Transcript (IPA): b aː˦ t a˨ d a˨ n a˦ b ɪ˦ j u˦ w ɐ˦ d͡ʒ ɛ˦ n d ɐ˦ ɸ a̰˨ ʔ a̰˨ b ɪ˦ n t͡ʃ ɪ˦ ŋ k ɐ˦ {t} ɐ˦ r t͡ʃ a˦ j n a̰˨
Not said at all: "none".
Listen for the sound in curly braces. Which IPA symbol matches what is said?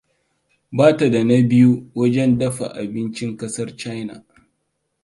s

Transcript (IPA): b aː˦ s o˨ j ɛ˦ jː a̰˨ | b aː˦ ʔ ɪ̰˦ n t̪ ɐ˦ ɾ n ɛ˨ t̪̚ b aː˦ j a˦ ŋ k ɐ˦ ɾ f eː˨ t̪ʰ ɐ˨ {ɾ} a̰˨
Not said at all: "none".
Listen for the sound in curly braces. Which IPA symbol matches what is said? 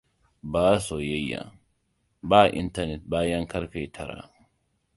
ɾ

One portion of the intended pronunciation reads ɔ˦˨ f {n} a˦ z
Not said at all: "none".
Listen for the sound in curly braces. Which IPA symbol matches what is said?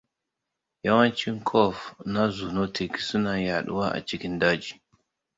n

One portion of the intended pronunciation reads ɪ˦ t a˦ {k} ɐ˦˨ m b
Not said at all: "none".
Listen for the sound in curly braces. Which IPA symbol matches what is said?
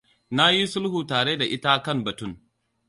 k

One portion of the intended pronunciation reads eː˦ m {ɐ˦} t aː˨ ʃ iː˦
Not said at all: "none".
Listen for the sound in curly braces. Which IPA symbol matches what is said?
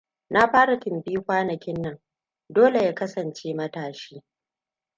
ɐ˦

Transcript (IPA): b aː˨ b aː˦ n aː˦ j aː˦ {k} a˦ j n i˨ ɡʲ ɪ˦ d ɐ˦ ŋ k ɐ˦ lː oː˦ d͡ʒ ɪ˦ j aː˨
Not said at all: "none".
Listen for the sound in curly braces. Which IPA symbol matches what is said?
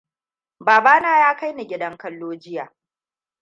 k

